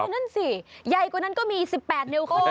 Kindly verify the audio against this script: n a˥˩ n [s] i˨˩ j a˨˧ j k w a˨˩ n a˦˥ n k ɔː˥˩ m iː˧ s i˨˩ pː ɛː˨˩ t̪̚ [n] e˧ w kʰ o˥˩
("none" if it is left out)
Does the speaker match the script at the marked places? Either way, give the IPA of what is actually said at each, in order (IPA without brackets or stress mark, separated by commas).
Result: s, n